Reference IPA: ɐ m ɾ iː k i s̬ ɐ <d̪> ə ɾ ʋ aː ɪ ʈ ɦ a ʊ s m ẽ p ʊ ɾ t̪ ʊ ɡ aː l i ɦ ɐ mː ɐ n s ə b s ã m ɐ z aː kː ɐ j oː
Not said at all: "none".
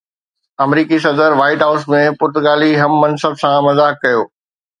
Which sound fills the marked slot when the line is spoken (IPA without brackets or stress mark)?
d̪